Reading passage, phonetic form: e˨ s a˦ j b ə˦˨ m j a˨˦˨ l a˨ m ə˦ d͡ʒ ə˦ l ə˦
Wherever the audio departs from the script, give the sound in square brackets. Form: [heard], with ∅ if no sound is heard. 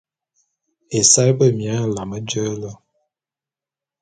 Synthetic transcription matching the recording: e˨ s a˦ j b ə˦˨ m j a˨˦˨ l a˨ m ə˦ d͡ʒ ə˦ l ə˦